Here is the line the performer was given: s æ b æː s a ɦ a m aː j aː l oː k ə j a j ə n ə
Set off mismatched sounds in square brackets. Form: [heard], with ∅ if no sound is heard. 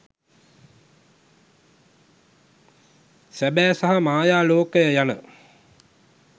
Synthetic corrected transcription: s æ b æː s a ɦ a m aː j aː l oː k ə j [ə] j [a] n ə